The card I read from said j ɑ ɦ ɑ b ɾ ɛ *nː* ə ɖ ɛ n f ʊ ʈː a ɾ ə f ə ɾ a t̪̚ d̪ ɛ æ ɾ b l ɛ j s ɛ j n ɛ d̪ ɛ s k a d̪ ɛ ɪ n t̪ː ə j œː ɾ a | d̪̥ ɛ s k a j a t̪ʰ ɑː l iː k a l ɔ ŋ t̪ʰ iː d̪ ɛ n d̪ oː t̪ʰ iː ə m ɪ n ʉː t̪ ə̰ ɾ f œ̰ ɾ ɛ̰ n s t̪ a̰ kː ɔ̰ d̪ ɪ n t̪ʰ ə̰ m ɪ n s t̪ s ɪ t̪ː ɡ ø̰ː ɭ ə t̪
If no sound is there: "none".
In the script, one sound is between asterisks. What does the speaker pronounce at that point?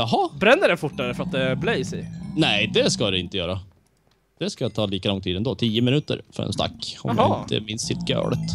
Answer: nː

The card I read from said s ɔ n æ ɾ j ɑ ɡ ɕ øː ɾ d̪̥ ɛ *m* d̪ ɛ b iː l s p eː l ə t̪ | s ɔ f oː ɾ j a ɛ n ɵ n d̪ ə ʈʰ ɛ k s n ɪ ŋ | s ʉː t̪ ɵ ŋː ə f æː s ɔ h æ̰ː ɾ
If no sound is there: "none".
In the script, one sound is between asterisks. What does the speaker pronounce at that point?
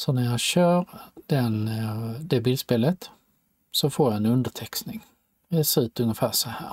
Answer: n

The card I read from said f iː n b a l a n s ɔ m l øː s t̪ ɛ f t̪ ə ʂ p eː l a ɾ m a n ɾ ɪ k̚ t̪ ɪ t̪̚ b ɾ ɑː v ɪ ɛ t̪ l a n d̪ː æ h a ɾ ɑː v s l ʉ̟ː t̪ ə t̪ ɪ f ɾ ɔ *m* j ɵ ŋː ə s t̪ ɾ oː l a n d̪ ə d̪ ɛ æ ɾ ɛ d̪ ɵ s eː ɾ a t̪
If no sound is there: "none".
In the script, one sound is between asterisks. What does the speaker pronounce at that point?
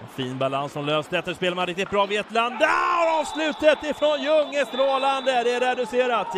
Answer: n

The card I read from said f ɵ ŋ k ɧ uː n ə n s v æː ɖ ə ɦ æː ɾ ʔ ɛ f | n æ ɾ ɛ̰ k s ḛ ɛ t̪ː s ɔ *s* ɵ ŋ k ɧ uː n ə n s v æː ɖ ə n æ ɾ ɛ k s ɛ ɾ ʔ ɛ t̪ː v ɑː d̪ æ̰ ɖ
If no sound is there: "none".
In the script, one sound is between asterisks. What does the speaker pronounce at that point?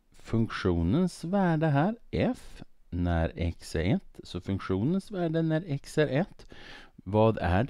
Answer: f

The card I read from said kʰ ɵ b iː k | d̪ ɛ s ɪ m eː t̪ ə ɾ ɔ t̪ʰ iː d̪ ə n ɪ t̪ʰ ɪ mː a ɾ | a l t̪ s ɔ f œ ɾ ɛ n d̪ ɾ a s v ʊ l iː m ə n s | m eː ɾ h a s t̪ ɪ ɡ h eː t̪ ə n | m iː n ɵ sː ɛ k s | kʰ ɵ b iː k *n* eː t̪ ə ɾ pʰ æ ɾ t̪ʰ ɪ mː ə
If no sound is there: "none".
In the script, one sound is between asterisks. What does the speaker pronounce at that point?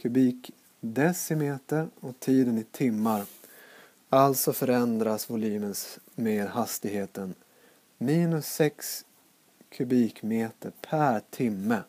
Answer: m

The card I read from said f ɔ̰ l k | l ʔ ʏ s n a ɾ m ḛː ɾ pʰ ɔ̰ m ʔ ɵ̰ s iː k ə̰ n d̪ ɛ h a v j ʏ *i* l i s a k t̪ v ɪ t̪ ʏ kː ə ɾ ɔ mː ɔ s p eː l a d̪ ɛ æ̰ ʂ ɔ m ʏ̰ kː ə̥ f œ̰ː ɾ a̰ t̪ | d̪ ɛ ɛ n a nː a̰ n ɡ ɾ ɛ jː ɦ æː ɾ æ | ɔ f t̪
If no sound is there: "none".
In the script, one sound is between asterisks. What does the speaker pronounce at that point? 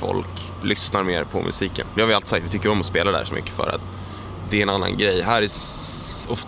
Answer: a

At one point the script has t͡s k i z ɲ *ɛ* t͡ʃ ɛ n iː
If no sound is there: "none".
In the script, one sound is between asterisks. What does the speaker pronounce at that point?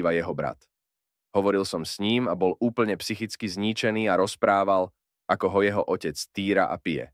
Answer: i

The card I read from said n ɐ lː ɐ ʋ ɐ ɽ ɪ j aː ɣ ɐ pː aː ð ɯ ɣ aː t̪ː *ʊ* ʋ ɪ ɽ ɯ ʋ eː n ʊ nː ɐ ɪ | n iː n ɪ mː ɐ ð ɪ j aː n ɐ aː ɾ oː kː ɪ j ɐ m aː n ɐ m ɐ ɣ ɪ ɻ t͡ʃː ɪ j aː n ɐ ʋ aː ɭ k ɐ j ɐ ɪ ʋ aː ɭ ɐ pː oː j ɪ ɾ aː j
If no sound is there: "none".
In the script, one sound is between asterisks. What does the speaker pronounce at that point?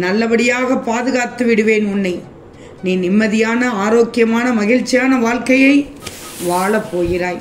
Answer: ɯ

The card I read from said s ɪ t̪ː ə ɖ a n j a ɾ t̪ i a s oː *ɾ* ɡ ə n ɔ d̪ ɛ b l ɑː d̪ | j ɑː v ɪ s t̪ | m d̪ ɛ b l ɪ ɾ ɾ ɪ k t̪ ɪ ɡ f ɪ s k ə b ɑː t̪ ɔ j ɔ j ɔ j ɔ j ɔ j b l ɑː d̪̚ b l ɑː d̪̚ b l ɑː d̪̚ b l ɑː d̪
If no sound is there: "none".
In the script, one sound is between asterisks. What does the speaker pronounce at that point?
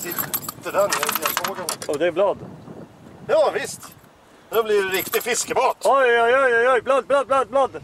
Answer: none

